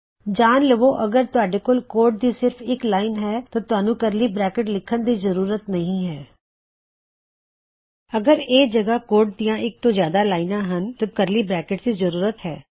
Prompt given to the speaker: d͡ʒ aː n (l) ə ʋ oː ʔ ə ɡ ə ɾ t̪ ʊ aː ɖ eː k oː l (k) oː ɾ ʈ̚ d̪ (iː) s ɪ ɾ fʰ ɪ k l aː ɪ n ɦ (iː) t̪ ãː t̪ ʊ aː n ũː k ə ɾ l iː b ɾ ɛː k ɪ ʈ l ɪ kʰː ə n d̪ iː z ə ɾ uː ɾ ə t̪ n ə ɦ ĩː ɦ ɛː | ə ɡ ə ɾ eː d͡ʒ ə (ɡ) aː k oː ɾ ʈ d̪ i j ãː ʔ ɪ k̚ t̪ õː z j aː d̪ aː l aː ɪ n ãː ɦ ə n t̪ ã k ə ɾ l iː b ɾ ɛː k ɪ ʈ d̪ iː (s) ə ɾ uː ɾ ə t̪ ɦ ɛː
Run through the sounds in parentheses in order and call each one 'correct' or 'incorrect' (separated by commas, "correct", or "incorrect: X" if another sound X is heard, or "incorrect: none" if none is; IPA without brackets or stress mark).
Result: correct, correct, correct, incorrect: ɛː, correct, incorrect: z